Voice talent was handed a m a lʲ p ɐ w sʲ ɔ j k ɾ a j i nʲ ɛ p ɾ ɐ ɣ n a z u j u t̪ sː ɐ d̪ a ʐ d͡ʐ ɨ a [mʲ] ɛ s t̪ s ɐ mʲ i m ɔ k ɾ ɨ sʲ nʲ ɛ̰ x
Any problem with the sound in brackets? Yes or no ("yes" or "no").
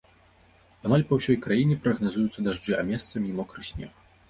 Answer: no